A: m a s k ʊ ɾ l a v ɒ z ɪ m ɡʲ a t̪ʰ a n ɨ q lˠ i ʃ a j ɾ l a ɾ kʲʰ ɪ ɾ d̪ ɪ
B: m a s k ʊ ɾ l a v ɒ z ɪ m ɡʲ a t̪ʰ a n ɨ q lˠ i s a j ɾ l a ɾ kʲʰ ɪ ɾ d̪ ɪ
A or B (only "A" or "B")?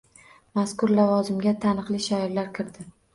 A